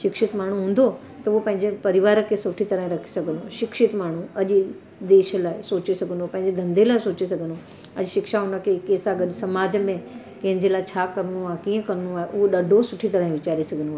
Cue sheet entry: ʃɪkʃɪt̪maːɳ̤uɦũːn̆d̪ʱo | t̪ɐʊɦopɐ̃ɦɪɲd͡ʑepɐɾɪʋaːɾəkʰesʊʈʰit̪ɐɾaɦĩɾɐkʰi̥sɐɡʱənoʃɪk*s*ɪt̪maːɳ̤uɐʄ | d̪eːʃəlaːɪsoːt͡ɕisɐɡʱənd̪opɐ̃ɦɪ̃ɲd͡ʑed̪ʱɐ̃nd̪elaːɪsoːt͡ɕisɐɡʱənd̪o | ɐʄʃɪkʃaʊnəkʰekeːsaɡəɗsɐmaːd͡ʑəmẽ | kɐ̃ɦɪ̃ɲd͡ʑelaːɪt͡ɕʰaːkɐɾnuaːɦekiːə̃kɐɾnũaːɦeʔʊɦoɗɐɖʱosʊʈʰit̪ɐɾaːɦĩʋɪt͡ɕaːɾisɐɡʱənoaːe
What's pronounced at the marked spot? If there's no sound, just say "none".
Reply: ʃ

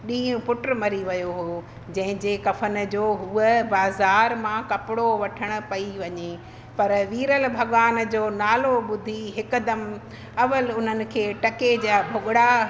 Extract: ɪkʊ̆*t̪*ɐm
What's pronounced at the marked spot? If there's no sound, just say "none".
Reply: d̪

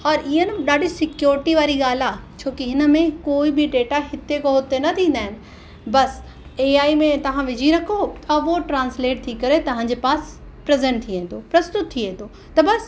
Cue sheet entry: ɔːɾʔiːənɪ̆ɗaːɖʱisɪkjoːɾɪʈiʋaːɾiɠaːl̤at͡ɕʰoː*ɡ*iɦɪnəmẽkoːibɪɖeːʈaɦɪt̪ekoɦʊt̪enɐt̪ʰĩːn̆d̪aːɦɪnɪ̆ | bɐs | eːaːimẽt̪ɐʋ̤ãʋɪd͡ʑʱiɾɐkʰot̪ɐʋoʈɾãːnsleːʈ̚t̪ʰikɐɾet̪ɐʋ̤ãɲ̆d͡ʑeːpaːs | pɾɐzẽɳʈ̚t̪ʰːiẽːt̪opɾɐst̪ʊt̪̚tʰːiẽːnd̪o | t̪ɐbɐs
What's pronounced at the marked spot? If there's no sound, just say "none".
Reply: k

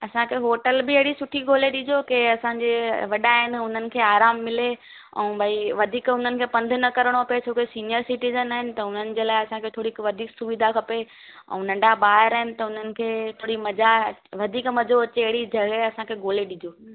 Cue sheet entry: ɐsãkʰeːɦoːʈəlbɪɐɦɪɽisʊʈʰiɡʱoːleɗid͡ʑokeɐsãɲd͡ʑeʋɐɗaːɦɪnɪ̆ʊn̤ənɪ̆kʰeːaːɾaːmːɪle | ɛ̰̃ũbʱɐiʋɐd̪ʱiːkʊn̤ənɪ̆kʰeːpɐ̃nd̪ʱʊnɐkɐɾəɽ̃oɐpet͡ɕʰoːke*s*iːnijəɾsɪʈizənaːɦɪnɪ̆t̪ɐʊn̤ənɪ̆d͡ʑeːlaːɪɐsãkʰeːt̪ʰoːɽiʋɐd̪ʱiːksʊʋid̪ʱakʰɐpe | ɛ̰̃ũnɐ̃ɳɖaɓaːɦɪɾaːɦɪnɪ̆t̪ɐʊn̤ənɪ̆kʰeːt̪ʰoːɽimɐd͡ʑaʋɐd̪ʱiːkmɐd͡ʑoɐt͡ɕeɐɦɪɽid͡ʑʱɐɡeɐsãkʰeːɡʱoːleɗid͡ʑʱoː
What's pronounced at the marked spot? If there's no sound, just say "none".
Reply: s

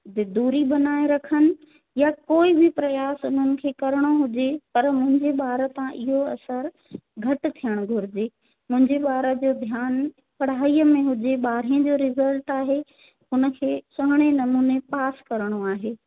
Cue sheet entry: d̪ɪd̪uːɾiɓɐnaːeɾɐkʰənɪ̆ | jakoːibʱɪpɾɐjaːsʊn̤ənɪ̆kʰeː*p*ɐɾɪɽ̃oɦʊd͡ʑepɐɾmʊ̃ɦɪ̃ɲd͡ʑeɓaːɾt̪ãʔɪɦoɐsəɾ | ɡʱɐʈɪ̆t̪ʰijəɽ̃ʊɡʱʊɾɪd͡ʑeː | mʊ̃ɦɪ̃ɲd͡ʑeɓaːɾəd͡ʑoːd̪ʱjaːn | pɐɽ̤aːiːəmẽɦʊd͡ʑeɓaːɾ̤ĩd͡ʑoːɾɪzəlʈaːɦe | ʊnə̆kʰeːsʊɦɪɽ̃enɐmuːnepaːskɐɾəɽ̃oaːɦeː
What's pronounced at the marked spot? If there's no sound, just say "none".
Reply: k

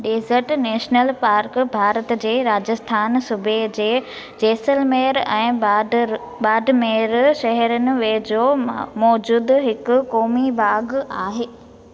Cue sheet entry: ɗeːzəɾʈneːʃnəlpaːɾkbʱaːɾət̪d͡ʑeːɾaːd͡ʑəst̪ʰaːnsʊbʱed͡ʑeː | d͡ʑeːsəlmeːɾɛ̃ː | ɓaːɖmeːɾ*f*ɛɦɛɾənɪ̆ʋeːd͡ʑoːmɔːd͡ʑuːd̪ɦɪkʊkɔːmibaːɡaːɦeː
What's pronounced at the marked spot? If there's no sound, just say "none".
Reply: ʃ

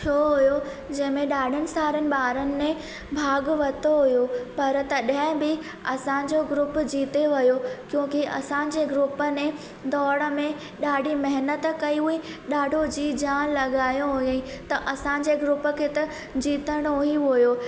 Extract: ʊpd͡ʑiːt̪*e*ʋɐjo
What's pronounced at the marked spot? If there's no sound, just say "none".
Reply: e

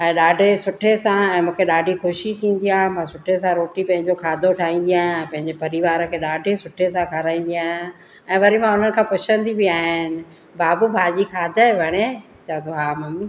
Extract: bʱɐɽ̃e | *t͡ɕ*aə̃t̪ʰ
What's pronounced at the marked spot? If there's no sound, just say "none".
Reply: t͡ɕ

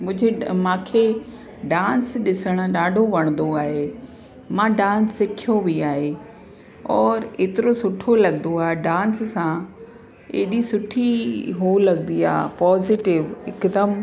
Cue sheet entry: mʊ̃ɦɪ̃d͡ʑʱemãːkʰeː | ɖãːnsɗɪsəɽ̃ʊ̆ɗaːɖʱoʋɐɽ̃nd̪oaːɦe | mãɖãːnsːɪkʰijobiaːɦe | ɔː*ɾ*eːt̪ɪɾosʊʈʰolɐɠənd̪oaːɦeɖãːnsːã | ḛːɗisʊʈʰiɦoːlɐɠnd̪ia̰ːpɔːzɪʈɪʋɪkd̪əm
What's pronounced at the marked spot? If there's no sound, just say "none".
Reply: ɾ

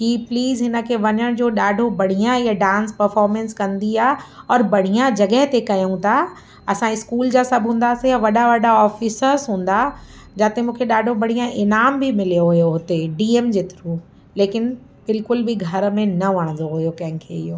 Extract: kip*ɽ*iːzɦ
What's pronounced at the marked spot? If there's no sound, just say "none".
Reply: l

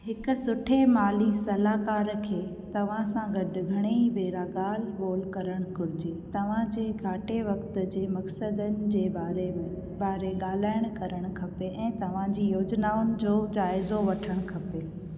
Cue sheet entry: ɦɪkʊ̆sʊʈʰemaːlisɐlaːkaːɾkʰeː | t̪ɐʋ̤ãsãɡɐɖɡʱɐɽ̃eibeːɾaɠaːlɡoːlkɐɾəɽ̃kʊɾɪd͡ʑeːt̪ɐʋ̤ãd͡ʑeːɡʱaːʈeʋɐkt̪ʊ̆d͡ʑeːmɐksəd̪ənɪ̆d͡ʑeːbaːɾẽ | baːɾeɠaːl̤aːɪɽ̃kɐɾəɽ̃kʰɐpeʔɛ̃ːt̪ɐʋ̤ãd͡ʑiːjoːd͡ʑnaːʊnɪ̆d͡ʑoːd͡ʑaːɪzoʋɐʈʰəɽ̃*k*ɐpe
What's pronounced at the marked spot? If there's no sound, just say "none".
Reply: kʰ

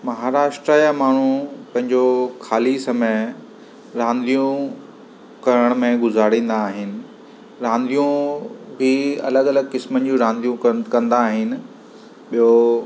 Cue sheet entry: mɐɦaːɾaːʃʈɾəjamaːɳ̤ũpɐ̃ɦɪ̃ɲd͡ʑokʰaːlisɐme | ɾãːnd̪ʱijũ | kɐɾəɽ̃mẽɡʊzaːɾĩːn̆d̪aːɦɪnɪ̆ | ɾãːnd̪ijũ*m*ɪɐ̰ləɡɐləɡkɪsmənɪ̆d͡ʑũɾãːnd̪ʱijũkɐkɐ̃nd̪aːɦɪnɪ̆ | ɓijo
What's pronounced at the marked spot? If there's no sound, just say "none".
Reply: b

